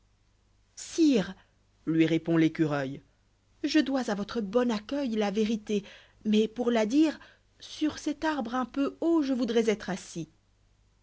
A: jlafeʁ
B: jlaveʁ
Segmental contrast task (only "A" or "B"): B